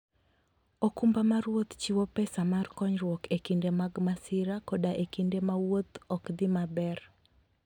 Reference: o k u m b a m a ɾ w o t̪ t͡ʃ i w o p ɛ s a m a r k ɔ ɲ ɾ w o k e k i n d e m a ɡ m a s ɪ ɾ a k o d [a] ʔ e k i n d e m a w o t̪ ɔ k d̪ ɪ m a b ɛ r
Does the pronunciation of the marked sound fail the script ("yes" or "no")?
no